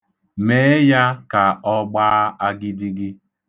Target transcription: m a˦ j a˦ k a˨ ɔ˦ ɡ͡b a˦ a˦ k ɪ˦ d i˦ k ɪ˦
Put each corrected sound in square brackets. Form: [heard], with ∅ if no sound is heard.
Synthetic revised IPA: m [e˦] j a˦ k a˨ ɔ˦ ɡ͡b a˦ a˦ [ɡ] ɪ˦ d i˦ [ɡ] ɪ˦